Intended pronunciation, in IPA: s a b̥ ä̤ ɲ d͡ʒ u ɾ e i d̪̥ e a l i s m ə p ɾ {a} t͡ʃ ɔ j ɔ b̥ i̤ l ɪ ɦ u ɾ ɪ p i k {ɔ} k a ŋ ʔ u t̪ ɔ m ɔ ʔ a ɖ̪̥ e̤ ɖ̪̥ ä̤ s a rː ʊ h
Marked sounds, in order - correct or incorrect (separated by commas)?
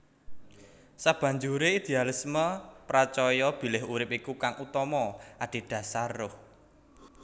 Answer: correct, incorrect